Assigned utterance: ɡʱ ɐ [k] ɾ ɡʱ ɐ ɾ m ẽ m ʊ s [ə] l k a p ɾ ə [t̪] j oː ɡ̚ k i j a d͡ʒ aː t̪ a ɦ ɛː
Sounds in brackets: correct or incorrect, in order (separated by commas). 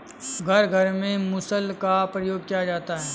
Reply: incorrect, correct, incorrect